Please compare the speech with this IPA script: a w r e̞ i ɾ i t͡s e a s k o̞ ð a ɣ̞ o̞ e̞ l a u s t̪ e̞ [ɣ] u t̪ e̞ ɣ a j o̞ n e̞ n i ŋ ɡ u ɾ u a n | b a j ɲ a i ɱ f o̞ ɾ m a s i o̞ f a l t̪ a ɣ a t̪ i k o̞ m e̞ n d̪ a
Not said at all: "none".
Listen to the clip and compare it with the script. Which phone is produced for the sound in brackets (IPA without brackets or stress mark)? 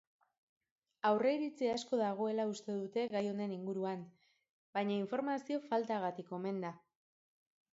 ð